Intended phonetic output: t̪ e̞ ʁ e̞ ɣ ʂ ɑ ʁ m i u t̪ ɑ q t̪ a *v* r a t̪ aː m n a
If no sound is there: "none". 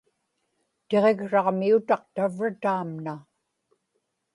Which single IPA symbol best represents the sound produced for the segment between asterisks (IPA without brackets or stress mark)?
v